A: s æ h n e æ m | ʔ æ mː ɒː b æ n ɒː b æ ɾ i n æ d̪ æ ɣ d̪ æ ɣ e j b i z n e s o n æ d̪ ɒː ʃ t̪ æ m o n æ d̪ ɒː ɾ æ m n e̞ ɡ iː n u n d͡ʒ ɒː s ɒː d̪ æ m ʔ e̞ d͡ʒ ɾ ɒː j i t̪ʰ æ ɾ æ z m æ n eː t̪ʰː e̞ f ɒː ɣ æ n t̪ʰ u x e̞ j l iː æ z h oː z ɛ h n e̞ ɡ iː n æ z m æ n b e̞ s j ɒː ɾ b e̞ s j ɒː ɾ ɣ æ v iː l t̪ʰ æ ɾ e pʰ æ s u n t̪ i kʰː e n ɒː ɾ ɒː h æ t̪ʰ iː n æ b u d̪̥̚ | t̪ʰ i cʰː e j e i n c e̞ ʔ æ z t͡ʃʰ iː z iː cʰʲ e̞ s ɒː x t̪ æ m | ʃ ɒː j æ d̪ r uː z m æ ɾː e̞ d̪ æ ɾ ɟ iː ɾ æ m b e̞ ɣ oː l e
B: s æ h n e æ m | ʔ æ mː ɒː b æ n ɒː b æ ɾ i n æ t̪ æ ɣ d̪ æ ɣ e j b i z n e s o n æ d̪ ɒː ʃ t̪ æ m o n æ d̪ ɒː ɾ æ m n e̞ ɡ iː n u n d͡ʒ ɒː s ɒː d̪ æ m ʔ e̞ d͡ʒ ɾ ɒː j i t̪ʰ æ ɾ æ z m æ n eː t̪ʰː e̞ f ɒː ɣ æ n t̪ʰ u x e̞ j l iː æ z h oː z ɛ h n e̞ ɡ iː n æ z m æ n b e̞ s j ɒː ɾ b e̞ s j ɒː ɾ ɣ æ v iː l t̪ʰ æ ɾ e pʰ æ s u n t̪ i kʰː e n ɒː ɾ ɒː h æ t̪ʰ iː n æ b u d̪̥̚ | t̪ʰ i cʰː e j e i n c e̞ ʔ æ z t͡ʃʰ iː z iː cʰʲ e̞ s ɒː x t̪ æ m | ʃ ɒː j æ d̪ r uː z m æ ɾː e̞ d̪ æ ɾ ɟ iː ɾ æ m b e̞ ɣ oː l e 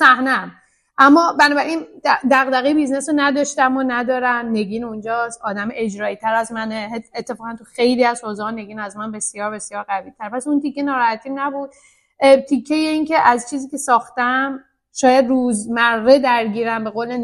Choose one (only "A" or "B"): A